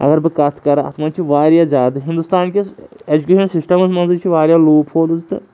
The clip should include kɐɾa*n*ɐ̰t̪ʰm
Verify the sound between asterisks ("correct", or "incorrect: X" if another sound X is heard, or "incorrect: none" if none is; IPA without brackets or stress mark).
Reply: incorrect: none